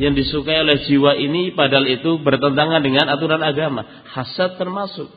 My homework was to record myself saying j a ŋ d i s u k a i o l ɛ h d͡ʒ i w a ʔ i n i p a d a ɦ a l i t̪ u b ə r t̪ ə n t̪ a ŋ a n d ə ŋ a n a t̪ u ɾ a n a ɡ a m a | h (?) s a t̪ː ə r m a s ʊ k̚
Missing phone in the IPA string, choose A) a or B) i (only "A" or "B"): A